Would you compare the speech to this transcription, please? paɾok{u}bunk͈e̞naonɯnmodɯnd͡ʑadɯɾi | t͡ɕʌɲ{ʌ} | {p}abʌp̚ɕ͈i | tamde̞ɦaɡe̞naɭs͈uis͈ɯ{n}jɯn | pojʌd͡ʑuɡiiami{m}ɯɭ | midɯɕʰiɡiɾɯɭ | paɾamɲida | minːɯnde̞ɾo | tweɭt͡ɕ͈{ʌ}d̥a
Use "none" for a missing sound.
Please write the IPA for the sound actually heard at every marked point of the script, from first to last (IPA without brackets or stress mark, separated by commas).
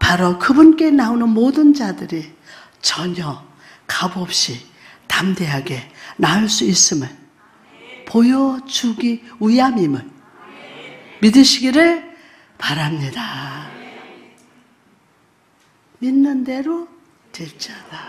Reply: ɯ, ʌ, k, m, m, a